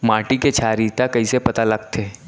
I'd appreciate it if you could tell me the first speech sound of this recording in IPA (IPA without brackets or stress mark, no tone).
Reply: m